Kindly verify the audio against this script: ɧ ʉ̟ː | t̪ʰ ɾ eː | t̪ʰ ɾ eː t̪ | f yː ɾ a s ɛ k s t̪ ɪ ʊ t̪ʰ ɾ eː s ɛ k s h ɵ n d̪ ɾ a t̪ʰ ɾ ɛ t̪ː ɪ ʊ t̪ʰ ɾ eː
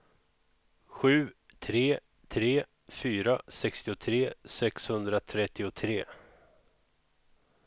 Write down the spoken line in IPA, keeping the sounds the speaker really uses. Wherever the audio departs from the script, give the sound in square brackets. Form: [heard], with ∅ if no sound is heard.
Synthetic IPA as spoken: ɧ ʉ̟ː | t̪ʰ ɾ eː | t̪ʰ ɾ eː [∅] | f yː ɾ a s ɛ k s t̪ ɪ ʊ t̪ʰ ɾ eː s ɛ k s h ɵ n d̪ ɾ a t̪ʰ ɾ ɛ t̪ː ɪ ʊ t̪ʰ ɾ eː